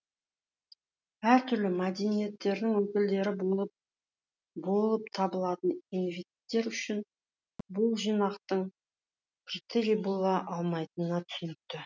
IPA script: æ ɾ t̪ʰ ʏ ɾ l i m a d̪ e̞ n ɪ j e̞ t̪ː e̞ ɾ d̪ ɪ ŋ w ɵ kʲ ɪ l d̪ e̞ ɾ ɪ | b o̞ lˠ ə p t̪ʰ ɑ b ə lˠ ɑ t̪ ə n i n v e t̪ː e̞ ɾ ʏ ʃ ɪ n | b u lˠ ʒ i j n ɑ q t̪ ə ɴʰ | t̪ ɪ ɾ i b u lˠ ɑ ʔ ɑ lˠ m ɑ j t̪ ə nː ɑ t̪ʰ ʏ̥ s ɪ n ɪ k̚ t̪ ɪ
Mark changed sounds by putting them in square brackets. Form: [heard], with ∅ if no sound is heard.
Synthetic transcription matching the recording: æ ɾ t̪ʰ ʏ ɾ l [ɪ] m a d̪ e̞ n [i] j e̞ t̪ː e̞ ɾ d̪ ɪ ŋ w ɵ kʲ ɪ l d̪ e̞ ɾ ɪ | b o̞ lˠ ə p t̪ʰ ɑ b ə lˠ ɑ t̪ ə n i n v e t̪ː e̞ ɾ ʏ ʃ ɪ n | b [ʊ] lˠ ʒ i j n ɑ q t̪ ə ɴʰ | t̪ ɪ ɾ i b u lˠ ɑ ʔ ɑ lˠ m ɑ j t̪ ə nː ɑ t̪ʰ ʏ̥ s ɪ n ɪ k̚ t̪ ɪ